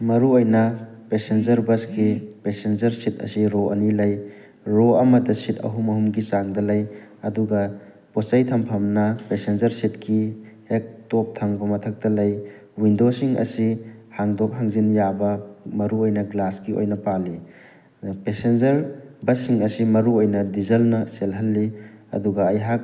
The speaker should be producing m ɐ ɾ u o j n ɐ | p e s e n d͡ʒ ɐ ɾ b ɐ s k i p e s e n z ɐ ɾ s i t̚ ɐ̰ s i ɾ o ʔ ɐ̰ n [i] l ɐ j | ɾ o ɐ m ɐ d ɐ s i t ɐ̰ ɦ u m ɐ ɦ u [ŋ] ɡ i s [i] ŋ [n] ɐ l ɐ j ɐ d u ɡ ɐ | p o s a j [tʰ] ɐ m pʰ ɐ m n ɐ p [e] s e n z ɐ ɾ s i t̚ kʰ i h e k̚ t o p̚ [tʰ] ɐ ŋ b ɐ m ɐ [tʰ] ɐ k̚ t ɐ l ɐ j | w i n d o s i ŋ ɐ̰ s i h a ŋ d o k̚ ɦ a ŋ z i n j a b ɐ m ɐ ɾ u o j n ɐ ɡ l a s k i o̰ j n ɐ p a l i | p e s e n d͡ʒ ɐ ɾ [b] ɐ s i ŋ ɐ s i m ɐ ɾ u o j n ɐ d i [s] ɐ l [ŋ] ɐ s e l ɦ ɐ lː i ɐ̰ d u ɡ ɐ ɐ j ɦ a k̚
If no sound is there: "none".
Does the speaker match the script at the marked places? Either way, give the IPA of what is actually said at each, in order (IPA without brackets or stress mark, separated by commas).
i, m, a, d, tʰ, e, tʰ, tʰ, b, z, n